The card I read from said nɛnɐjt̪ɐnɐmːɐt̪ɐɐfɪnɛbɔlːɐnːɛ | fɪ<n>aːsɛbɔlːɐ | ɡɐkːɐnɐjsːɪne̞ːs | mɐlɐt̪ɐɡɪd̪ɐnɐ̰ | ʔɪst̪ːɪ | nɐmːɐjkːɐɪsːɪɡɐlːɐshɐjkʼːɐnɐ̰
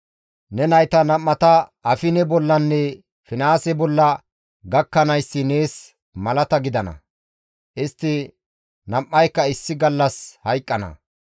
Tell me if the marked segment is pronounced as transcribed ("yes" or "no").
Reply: yes